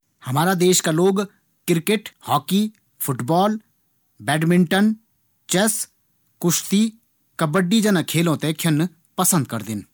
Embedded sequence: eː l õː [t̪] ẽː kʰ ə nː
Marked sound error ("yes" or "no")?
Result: no